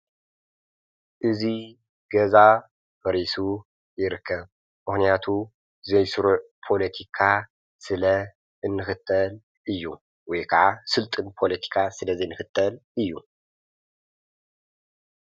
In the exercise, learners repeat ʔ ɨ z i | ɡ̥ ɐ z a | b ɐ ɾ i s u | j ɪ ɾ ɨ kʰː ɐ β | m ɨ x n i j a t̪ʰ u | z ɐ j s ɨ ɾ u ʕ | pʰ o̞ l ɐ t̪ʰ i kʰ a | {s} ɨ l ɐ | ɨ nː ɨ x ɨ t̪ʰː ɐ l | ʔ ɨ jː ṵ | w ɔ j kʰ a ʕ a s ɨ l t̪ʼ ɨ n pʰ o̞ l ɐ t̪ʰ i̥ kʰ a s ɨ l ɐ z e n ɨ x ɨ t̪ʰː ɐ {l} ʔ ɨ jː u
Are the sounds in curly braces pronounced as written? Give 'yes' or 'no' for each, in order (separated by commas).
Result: yes, yes